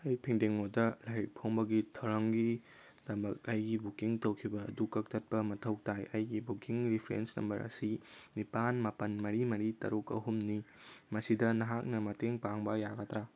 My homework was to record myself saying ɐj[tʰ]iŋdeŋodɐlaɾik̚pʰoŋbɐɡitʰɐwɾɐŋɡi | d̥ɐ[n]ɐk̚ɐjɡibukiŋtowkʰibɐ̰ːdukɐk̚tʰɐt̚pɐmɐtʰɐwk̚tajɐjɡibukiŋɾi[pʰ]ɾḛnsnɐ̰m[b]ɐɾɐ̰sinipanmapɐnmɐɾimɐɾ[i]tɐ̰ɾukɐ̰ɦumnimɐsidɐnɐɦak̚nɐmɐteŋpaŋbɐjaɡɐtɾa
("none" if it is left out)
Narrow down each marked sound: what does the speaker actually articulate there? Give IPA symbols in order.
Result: pʰ, m, pʰ, b, i

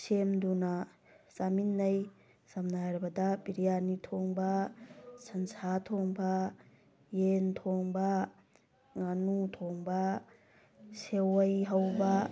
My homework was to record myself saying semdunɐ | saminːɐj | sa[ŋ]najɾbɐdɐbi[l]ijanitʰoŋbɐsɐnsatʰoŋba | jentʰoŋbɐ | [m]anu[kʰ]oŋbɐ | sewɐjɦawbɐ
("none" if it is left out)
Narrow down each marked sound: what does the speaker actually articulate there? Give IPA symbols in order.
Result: m, ɾ, ŋ, tʰ

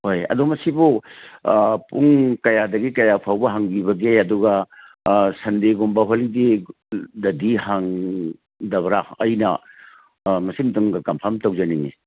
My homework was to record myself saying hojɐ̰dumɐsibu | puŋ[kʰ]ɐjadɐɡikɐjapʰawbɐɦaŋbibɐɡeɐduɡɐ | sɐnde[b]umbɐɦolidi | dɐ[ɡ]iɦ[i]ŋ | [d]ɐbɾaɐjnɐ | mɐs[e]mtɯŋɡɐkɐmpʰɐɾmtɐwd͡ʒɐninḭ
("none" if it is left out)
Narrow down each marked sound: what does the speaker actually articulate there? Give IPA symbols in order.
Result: k, ɡ, d, a, d, i

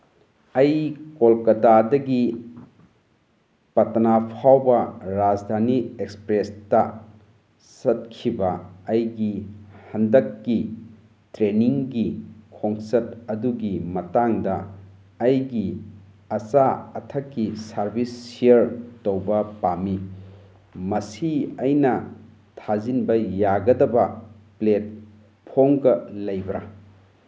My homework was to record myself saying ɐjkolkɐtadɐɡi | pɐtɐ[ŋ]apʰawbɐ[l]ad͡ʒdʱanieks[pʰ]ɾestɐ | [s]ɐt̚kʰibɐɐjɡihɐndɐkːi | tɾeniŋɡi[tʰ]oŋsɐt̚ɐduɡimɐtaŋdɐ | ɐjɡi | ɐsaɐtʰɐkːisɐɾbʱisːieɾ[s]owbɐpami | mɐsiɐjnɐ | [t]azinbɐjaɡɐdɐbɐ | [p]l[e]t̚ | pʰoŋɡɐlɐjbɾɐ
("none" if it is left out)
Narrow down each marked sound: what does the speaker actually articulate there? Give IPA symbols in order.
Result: n, ɾ, p, s, kʰ, t, tʰ, p, e

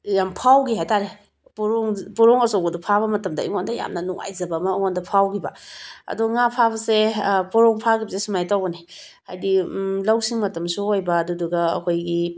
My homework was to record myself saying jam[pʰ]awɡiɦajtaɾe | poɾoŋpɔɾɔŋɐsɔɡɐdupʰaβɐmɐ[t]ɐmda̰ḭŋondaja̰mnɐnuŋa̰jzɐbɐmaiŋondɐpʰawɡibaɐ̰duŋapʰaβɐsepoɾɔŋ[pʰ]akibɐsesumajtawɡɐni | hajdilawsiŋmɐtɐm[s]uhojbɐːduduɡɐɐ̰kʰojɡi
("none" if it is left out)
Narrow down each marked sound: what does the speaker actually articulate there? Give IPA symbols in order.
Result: pʰ, t, pʰ, s

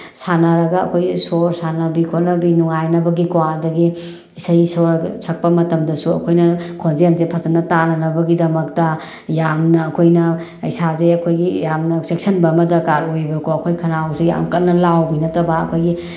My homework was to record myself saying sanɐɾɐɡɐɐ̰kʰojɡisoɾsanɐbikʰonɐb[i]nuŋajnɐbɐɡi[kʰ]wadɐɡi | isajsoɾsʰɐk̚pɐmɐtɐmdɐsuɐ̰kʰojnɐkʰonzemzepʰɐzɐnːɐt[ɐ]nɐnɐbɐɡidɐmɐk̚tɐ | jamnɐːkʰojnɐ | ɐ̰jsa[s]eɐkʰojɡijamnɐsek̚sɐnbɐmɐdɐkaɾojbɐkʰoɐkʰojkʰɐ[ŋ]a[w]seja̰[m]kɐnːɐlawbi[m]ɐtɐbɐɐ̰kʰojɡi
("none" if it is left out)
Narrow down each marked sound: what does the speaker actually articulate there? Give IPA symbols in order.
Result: i, k, a, z, n, w, m, n

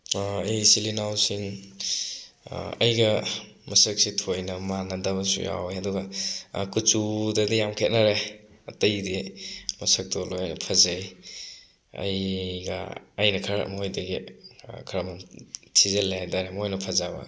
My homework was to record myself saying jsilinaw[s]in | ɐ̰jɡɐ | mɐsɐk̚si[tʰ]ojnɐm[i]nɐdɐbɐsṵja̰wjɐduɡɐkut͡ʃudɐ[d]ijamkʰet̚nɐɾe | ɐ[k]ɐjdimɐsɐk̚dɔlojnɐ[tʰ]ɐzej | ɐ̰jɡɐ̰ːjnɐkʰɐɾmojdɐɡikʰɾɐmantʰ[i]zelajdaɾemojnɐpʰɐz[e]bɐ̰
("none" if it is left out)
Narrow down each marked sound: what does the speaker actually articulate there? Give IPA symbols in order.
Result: s, tʰ, a, d, t, pʰ, i, a

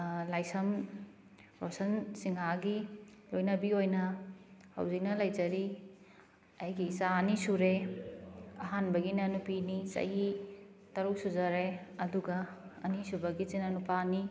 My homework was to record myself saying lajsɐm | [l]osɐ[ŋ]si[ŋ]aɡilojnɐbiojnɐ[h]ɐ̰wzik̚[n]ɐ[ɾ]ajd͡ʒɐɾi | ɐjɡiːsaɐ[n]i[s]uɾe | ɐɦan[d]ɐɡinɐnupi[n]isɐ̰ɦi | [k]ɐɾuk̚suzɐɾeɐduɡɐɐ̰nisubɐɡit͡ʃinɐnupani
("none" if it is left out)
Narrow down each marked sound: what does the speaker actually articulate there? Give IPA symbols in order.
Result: ɾ, n, ŋ, h, n, l, n, s, b, n, t

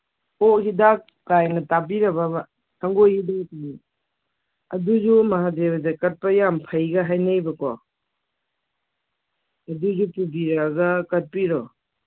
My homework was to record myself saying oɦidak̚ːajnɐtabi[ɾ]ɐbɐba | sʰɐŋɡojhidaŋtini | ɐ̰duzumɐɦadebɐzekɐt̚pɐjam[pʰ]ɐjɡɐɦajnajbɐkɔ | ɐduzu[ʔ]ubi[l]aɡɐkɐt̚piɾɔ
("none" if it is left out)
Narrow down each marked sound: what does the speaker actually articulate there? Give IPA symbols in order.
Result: ɾ, pʰ, p, ɾ

